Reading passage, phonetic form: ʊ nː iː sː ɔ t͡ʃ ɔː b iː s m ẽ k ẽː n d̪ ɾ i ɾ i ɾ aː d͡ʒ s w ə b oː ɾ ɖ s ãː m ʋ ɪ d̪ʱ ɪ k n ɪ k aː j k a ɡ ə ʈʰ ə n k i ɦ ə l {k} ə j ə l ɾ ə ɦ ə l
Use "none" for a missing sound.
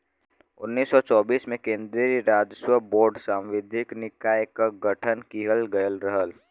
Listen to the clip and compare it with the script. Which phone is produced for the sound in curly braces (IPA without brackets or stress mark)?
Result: ɡ